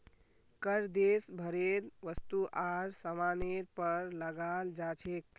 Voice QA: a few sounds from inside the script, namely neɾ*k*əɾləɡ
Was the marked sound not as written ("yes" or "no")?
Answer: yes